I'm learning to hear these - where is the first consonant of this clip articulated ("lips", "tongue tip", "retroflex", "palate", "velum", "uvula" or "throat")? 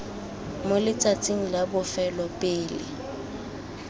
lips